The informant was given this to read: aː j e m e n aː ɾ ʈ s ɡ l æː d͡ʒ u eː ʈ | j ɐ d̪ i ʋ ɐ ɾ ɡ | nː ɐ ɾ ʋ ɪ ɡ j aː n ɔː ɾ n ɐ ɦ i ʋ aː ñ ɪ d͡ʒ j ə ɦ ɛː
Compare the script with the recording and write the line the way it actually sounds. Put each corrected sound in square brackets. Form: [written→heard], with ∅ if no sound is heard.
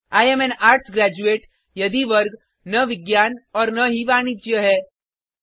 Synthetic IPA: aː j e m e n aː ɾ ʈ s ɡ [l→ɾ] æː d͡ʒ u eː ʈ | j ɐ d̪ i ʋ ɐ ɾ ɡ | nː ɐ [ɾ→∅] ʋ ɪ ɡ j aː n ɔː ɾ n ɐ ɦ i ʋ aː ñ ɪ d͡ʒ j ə ɦ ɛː